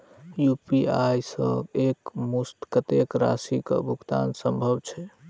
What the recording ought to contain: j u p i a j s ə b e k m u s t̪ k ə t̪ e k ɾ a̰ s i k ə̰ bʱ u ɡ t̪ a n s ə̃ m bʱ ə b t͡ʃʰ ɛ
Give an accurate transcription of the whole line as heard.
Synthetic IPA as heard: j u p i a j s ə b e k m u s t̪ k ə t̪ e k ɾ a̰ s i k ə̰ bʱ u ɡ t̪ a n s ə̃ m bʱ ə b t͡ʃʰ ɛ